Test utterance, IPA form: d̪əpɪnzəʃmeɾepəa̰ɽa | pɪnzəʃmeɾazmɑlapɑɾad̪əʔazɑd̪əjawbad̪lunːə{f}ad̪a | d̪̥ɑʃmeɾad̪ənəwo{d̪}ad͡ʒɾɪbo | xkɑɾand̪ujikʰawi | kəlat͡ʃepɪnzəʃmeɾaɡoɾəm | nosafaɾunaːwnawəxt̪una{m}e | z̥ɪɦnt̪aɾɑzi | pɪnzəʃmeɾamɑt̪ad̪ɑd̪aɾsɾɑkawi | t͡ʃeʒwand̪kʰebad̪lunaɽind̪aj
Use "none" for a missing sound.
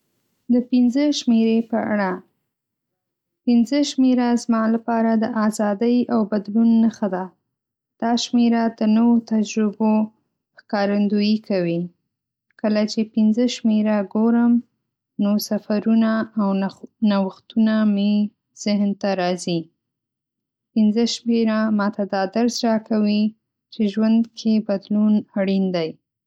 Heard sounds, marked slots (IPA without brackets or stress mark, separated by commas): x, t̪, m